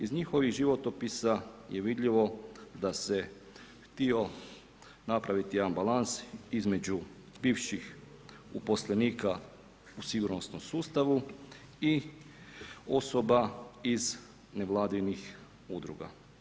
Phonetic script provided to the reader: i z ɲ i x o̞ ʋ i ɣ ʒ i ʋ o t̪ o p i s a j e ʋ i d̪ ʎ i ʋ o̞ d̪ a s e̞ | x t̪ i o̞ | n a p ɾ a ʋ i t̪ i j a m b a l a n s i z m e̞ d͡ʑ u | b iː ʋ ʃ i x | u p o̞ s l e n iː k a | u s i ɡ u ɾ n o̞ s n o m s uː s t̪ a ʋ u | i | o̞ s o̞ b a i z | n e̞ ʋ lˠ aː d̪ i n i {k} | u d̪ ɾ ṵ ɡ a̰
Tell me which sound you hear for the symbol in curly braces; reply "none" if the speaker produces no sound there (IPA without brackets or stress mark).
x